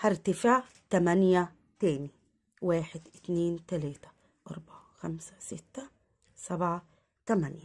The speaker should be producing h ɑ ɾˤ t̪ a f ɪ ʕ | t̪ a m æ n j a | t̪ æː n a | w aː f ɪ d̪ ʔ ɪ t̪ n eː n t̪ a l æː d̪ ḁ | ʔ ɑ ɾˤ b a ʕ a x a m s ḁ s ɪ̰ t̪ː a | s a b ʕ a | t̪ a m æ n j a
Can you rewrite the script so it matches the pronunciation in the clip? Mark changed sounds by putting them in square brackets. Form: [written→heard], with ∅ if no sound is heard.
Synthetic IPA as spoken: h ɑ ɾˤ t̪ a f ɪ ʕ | t̪ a m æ n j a | t̪ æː n [a→i] | w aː [f→ħ] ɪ d̪ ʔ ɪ t̪ n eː n t̪ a l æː [d̪→t̪] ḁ | ʔ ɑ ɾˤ b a ʕ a x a m s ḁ s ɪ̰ t̪ː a | s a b ʕ a | t̪ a m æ n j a